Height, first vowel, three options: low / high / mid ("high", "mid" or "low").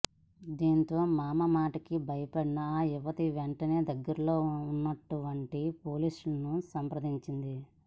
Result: high